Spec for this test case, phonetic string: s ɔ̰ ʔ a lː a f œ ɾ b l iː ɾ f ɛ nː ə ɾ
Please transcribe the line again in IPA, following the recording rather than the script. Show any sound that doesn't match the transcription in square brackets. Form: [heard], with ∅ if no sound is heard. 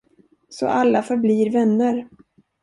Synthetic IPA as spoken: s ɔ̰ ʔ a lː a f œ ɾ b l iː ɾ [v] ɛ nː ə ɾ